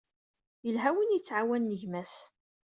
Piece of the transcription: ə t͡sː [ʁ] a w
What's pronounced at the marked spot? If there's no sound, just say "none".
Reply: ʕ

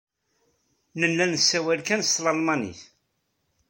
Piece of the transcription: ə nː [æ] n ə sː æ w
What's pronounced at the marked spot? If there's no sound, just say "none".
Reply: æ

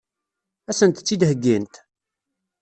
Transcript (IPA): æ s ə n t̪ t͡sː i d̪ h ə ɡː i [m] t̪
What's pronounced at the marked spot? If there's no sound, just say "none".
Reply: n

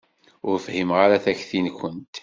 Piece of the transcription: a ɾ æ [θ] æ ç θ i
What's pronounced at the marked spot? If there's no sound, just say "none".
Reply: θ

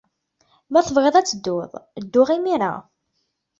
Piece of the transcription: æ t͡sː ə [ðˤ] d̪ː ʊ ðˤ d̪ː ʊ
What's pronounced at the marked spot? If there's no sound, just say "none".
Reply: none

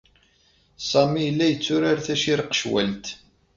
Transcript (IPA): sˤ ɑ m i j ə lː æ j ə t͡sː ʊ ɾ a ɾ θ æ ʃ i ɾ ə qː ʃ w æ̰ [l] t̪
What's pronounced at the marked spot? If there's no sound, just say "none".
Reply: l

